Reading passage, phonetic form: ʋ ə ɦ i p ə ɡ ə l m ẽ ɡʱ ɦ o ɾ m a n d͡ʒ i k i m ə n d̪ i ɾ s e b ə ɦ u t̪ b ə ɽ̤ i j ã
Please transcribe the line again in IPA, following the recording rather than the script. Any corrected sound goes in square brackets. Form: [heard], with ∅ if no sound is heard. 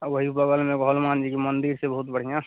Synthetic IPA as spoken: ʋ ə ɦ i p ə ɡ ə l m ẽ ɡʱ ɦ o [l] m a n d͡ʒ i k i m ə n d̪ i ɾ s e b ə ɦ u t̪ b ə ɽ̤ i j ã